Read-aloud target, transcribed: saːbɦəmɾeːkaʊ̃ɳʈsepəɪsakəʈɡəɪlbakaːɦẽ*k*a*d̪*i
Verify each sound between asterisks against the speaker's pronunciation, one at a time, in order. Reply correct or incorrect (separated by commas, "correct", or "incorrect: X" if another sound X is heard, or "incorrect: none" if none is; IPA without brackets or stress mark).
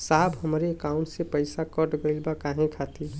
incorrect: kʰ, incorrect: t̪